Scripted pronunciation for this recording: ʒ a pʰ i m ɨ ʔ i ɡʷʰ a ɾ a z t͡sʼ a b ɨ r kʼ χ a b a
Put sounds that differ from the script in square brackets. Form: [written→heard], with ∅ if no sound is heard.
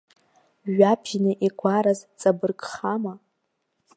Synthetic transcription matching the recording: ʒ a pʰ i [m→n] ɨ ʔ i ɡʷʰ a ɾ a z t͡sʼ a b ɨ r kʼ χ a [b→m] a